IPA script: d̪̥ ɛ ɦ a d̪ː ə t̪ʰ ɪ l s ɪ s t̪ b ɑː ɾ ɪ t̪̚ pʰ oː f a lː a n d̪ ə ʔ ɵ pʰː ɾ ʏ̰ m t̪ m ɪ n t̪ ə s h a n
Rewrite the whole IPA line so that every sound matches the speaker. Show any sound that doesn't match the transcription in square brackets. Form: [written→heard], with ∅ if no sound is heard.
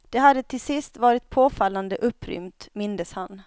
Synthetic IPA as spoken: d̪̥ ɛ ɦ a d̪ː ə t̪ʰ ɪ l s ɪ s t̪ [b→v] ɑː ɾ ɪ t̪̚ pʰ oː f a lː a n d̪ ə ʔ ɵ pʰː ɾ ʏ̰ m t̪ m ɪ n [t̪→d̪] ə s h a n